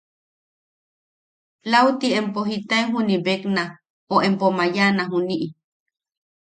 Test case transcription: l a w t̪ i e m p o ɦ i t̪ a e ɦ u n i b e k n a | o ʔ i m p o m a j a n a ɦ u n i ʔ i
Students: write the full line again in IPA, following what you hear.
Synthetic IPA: l a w t̪ i e m p o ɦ i t̪ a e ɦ u n i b e k n a | o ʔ e m p o m a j a n a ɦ u n i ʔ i